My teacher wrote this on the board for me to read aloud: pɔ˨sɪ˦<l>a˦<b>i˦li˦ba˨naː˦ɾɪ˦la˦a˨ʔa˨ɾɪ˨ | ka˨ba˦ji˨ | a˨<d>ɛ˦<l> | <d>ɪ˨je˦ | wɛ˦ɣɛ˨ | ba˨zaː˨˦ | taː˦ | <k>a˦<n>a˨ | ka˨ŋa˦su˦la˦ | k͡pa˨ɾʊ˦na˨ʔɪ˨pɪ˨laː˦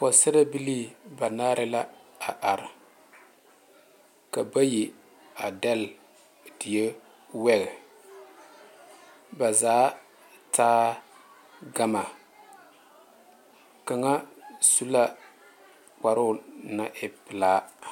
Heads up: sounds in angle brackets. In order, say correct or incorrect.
incorrect: ɾ, correct, correct, correct, correct, incorrect: ɡ, incorrect: m

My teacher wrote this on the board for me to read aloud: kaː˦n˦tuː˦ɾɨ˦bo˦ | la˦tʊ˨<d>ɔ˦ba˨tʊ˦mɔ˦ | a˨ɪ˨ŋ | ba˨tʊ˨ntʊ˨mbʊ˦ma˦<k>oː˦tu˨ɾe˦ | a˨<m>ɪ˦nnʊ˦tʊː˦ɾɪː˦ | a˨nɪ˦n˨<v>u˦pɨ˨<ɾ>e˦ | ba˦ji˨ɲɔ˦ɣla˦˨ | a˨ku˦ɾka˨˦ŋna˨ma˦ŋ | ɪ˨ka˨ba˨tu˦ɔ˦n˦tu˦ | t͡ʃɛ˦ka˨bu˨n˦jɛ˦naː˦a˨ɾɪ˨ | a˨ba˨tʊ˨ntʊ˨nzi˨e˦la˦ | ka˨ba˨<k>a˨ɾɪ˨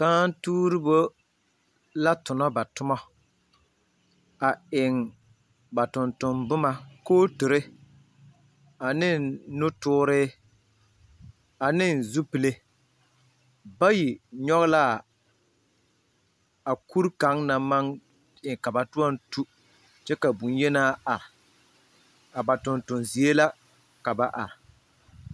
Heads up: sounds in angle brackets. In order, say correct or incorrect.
incorrect: n, correct, incorrect: n, incorrect: z, incorrect: l, incorrect: ʔ

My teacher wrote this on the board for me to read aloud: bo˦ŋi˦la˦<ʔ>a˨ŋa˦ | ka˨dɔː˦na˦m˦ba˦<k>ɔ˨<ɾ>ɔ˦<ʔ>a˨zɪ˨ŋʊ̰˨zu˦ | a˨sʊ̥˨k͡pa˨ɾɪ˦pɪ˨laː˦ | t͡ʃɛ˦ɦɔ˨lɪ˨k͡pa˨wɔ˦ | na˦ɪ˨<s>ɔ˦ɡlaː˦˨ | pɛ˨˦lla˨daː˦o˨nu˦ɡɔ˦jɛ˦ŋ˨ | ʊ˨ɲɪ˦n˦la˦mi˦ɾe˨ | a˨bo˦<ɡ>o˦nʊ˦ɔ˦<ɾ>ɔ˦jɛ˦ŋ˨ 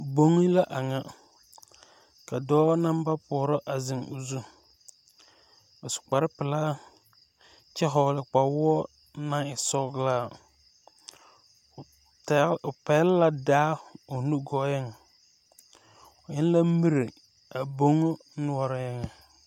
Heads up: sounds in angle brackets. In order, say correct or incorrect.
correct, incorrect: p, correct, correct, correct, incorrect: ŋ, correct

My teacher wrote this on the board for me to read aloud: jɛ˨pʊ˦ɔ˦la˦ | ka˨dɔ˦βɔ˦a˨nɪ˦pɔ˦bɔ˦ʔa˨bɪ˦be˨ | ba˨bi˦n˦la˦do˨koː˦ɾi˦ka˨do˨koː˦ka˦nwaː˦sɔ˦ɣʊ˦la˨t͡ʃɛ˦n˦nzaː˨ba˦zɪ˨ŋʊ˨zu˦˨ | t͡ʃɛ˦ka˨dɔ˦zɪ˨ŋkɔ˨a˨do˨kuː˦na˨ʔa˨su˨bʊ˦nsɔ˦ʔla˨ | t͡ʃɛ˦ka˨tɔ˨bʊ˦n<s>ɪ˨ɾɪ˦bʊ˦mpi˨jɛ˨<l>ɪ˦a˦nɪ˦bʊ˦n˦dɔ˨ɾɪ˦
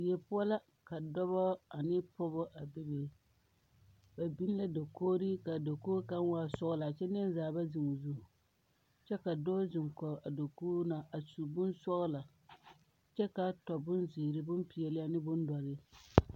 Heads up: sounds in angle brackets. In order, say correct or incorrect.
incorrect: z, correct

